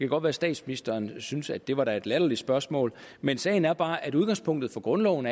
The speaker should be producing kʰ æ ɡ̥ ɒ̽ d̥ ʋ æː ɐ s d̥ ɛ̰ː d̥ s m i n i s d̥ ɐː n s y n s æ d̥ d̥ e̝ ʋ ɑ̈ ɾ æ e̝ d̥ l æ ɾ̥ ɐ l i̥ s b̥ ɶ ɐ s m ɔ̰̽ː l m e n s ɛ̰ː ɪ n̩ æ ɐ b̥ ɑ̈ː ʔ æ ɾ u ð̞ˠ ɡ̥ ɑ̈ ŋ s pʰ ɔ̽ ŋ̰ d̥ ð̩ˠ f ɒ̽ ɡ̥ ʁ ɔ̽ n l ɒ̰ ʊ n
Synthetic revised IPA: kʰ æ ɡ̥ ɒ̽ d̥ ʋ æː ɐ s d̥ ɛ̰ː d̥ s m i n i s d̥ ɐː n s y n s æ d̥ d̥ e̝ ʋ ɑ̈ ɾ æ e̝ d̥ l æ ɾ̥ ɐ l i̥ s b̥ ɶ ɐ s m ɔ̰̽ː l m e n s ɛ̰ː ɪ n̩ æ ɐ b̥ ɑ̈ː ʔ æ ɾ u ð̞ˠ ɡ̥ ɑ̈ ŋ s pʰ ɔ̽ ŋ̰ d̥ ð̩ˠ f ɒ̽ ɡ̥ ʁ ɔ̽ n l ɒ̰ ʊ n